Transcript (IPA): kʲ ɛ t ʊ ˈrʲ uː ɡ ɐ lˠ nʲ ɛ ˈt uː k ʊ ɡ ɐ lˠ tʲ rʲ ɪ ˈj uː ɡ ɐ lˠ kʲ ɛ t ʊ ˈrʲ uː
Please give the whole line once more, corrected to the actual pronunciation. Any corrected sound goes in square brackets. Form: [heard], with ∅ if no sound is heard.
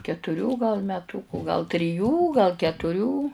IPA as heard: kʲ ɛ t ʊ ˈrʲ uː ɡ ɐ lˠ [mʲ] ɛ ˈt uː k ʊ ɡ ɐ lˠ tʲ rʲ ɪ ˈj uː ɡ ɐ lˠ kʲ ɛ t ʊ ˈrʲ uː